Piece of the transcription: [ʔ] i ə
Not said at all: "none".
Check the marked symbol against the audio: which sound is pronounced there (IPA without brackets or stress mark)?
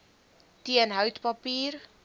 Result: t